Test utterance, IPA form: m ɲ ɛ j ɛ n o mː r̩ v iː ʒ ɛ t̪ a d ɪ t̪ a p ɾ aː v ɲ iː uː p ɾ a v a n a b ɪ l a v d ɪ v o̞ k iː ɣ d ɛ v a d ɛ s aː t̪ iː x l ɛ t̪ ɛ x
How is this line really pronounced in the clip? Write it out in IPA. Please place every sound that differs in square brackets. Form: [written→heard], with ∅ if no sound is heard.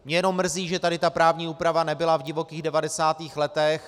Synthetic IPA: m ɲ ɛ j ɛ n o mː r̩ [v→z] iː ʒ ɛ t̪ a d ɪ t̪ a p ɾ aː v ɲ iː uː p ɾ a v a n [a→ɛ] b ɪ l a v [d→ɟ] ɪ v o̞ k iː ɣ d ɛ v a d ɛ s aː t̪ iː x l ɛ t̪ ɛ x